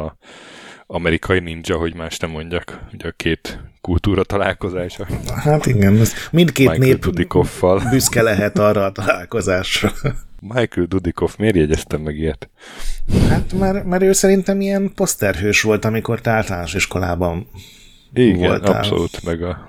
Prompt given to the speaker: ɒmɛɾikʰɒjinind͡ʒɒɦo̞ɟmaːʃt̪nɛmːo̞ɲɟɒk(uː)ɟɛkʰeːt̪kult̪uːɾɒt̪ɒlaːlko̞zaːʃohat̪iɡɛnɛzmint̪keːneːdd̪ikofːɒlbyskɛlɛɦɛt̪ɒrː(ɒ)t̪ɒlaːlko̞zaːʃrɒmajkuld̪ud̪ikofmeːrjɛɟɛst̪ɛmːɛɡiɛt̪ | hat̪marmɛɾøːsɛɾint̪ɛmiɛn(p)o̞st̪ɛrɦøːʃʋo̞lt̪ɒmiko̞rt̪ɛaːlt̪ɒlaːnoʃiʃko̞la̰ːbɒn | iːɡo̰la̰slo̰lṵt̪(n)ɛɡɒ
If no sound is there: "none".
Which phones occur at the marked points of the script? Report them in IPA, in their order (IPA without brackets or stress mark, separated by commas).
u, ɒː, p, m